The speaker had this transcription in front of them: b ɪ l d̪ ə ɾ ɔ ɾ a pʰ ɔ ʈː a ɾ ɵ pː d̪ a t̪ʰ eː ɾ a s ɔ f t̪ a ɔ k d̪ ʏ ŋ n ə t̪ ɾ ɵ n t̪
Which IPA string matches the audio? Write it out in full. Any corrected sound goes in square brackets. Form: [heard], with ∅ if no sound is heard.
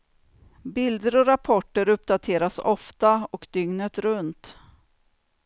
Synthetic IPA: b ɪ l d̪ ə ɾ ɔ ɾ a pʰ ɔ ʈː [ə] ɾ ɵ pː d̪ a t̪ʰ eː ɾ a s ɔ f t̪ a ɔ k d̪ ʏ ŋ n ə t̪ ɾ ɵ n t̪